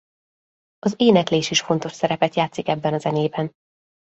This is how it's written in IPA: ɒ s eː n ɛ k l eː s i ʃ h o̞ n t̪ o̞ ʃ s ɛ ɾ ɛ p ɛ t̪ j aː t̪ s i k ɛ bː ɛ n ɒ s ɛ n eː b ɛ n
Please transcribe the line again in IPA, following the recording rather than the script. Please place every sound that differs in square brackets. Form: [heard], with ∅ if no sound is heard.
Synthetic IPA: ɒ [z] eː n ɛ k l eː [ʃ] i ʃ [f] o̞ n t̪ o̞ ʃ s ɛ ɾ ɛ p ɛ t̪ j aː t̪ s i k ɛ bː ɛ n ɒ [z] ɛ n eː b ɛ n